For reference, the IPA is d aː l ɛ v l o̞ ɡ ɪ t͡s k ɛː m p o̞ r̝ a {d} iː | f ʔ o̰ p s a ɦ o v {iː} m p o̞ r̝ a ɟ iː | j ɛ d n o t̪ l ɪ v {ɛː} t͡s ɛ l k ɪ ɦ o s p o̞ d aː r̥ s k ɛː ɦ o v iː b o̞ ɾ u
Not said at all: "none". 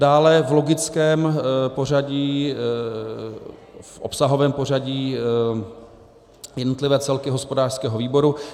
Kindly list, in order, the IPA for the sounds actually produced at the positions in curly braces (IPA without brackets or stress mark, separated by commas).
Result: ɟ, ɛː, ɛː